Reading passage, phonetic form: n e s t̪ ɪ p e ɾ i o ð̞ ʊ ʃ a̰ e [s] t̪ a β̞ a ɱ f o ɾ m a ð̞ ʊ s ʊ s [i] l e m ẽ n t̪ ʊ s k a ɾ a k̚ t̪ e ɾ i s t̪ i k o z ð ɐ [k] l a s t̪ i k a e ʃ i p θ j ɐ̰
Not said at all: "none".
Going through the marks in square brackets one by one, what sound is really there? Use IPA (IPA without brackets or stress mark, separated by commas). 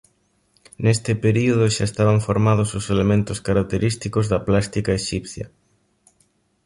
s, e, p